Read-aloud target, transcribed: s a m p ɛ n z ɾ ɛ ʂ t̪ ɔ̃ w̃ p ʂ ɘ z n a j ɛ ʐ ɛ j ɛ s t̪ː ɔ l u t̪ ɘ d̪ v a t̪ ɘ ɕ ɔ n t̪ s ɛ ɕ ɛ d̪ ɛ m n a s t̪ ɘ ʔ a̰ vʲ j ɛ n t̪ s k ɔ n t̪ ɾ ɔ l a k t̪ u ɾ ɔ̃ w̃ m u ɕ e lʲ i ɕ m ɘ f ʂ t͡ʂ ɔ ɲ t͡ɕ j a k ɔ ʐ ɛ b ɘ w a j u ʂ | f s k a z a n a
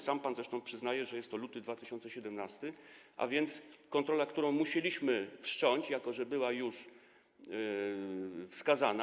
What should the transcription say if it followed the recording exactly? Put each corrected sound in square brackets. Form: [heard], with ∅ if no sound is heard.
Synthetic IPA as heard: s a m p [a] n z ɾ ɛ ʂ t̪ ɔ̃ w̃ p ʂ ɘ z n a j ɛ ʐ ɛ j ɛ s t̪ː ɔ l u t̪ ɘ d̪ v a t̪ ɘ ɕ ɔ n t̪ s ɛ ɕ ɛ d̪ ɛ m n a s t̪ ɘ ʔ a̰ vʲ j ɛ n t̪ s k ɔ n t̪ ɾ ɔ l a k t̪ u ɾ ɔ̃ w̃ m u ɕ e lʲ i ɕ m ɘ f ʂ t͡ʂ ɔ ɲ t͡ɕ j a k ɔ ʐ ɛ b ɘ w a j u ʂ | f s k a z a n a